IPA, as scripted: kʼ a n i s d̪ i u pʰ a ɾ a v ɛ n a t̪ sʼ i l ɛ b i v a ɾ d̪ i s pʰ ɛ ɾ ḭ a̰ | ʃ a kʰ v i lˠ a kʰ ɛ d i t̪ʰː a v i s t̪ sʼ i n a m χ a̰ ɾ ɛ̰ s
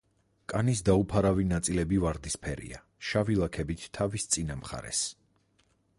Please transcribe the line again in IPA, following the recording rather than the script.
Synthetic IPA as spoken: kʼ a n i s d̪ a u pʰ a ɾ a v i n a t̪ sʼ i l ɛ b i v a ɾ d̪ i s pʰ ɛ ɾ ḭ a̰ | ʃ a v i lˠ a kʰ ɛ b i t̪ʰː a v i s t̪ sʼ i n a m χ a̰ ɾ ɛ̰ s